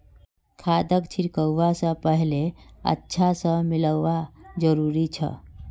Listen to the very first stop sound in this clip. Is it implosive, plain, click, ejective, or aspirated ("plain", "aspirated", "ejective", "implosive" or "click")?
aspirated